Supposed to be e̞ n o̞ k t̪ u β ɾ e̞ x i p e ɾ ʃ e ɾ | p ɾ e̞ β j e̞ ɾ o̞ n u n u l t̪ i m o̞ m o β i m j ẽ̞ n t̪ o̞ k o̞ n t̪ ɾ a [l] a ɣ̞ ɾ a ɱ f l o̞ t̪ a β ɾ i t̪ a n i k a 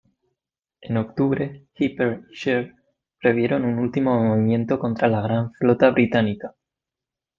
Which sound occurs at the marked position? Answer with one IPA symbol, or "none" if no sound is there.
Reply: l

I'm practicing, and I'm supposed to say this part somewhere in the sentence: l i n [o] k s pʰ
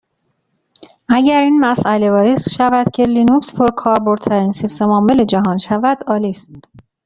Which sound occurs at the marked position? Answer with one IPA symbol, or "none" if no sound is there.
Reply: u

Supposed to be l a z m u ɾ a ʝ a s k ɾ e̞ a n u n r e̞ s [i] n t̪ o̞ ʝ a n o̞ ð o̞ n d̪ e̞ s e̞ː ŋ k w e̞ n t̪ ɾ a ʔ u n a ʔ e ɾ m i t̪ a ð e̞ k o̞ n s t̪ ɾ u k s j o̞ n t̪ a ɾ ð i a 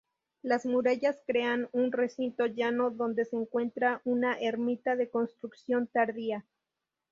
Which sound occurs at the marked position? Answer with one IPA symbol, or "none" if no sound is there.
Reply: i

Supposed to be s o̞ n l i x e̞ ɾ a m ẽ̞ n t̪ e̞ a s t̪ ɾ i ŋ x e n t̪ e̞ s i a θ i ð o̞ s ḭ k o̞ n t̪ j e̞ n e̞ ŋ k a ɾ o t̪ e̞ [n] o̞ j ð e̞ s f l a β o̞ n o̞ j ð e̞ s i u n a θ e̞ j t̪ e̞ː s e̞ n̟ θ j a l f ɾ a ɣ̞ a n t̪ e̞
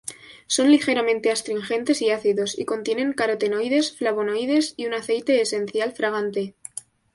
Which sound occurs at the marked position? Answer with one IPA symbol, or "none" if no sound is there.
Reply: n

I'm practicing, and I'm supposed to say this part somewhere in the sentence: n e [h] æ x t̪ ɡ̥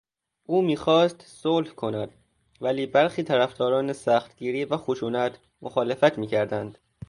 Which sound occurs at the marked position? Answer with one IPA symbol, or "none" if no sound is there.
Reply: s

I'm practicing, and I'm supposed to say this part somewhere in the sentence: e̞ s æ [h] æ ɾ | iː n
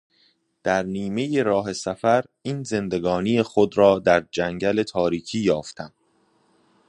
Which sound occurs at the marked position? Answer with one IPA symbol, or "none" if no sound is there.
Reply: f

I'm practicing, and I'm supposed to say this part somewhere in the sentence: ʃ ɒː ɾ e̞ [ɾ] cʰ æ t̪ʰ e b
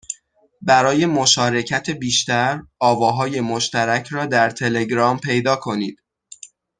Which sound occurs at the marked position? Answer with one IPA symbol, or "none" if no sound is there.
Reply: none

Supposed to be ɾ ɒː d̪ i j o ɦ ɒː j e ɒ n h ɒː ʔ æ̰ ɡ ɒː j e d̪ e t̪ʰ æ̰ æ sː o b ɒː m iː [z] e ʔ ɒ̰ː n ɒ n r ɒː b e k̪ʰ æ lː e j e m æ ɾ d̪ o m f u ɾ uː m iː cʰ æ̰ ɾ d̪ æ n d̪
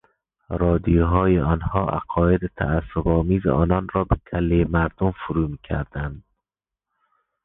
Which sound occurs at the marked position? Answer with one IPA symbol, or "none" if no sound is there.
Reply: z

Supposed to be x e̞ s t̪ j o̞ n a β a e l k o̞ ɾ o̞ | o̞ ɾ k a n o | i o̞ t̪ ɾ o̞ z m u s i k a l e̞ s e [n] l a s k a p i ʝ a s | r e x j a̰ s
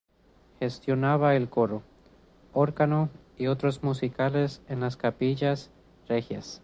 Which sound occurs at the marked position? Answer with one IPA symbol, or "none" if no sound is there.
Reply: n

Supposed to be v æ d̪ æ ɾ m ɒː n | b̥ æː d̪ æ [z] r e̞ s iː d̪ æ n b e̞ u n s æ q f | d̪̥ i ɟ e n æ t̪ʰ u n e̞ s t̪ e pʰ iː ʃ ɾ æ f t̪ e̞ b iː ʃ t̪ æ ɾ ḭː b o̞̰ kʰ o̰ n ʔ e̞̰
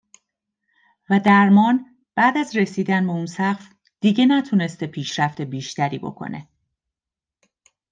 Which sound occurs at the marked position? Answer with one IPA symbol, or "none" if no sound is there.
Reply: z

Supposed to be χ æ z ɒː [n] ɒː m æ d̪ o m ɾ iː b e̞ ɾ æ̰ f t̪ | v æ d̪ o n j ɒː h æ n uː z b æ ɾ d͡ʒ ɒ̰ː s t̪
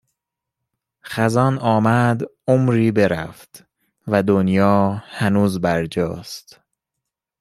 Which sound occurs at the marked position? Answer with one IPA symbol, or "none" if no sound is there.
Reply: n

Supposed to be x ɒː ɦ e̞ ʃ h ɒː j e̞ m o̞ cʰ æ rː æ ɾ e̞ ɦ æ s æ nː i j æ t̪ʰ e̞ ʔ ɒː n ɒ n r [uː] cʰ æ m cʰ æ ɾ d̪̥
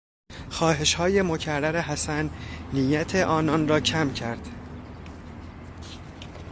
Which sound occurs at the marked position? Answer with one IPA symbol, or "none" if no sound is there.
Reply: ɒː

